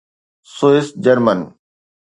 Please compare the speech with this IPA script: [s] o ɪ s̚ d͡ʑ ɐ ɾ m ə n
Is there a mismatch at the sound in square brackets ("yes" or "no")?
no